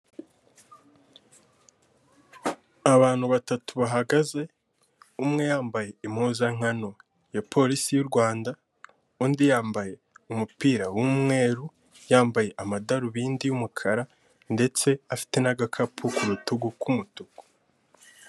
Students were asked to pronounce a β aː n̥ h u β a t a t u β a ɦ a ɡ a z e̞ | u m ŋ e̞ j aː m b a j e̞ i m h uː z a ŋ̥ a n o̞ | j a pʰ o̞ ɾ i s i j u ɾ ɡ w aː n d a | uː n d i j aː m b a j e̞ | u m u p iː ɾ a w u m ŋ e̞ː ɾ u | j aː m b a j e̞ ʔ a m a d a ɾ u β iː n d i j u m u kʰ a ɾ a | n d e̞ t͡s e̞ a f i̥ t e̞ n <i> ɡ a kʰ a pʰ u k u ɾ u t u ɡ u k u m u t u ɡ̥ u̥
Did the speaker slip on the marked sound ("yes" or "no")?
yes